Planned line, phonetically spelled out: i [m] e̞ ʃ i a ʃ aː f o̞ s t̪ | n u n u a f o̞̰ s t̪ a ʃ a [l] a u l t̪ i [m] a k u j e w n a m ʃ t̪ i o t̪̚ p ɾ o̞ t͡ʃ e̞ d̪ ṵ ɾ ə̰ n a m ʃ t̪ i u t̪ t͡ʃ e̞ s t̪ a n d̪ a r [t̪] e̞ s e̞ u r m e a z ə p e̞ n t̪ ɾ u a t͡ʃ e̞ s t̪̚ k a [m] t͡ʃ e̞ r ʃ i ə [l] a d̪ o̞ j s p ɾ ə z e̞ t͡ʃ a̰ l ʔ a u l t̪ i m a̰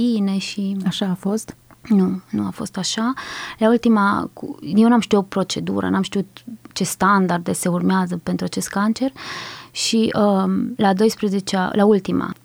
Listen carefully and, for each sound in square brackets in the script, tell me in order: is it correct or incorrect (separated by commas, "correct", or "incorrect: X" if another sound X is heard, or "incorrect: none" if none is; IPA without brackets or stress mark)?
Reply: incorrect: n, correct, correct, incorrect: d̪, incorrect: n, correct